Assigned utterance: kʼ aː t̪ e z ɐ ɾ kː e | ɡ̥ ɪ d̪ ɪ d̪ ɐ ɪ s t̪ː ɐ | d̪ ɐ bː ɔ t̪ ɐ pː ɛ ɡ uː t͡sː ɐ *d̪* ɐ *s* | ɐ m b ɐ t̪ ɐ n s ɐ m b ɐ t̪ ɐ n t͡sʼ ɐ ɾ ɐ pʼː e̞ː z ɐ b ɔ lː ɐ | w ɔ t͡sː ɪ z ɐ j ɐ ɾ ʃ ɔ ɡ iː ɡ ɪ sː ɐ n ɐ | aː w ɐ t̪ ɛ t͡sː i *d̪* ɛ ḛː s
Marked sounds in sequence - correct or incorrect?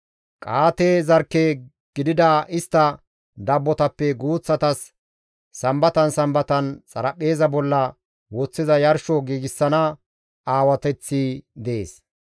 incorrect: t̪, incorrect: sː, correct

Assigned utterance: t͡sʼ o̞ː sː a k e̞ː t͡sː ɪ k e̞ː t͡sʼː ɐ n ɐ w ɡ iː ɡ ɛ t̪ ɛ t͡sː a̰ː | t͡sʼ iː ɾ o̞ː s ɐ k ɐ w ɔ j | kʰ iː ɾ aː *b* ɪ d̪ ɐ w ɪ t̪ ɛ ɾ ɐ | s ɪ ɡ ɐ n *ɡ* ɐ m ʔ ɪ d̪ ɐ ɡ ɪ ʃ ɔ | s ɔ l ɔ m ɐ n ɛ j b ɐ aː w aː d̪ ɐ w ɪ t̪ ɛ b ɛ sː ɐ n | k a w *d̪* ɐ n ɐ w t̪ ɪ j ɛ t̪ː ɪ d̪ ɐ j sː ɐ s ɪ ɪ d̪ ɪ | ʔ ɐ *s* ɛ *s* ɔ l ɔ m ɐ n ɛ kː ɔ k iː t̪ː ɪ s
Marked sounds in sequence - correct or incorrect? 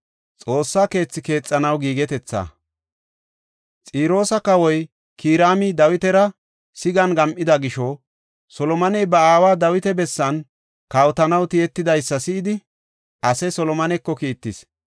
incorrect: m, correct, incorrect: t̪, correct, correct

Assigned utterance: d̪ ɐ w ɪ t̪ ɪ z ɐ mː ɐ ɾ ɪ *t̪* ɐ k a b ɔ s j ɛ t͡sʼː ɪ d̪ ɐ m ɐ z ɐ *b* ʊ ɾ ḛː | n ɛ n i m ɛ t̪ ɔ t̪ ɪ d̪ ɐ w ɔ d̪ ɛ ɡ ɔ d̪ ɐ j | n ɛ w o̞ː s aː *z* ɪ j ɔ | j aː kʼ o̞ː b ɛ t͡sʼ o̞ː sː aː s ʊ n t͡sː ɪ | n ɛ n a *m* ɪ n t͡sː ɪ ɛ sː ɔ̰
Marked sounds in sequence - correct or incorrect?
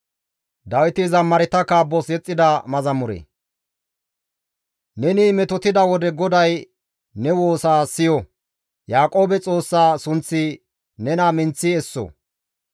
correct, incorrect: m, incorrect: s, correct

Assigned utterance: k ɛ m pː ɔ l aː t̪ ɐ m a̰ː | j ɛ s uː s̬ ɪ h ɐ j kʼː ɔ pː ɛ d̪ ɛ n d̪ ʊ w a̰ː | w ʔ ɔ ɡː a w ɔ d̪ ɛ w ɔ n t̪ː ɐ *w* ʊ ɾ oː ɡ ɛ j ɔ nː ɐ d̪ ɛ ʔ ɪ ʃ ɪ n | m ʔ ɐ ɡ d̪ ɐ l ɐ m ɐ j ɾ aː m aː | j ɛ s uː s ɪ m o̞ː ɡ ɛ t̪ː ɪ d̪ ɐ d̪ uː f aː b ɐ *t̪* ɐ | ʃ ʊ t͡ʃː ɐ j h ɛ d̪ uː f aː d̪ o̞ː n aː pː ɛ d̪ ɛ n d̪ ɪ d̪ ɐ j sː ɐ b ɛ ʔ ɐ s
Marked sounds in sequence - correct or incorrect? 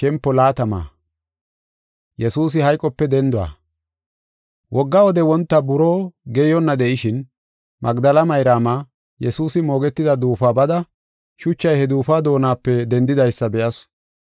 incorrect: b, incorrect: d̪

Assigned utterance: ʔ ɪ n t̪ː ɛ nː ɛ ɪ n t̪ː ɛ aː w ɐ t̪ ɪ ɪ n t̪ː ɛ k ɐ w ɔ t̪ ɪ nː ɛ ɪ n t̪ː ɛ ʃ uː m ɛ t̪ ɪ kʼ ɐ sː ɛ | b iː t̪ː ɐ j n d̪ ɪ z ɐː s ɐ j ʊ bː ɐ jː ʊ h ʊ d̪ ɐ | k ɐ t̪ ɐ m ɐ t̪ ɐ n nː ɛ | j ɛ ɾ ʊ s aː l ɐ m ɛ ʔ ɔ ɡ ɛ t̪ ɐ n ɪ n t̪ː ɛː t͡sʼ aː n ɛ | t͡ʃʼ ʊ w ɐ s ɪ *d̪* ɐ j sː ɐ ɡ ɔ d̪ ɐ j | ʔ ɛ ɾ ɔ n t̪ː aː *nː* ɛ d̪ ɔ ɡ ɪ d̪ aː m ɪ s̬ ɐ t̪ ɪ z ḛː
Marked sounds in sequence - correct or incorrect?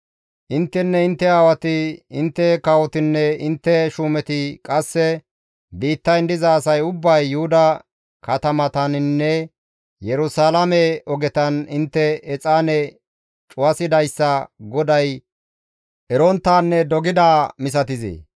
correct, correct

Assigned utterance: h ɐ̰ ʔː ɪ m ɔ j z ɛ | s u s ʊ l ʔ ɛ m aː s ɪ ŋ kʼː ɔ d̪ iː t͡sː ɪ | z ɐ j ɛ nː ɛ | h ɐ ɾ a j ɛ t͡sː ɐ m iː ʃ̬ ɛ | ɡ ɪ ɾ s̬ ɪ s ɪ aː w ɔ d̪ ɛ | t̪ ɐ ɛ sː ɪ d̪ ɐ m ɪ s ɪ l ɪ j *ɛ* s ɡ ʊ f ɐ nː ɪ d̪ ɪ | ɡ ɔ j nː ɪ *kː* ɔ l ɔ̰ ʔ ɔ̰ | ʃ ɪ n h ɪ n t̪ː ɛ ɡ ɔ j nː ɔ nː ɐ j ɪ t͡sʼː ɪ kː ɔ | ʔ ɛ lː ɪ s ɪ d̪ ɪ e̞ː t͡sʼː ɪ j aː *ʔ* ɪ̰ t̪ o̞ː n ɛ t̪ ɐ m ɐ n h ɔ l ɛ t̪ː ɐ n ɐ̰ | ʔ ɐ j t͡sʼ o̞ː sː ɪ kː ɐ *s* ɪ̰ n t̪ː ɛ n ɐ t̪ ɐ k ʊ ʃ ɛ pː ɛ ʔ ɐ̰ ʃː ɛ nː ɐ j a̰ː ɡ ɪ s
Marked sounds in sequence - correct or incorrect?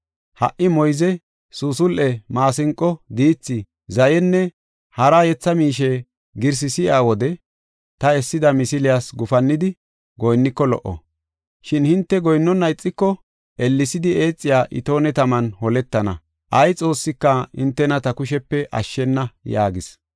incorrect: a, correct, correct, incorrect: h

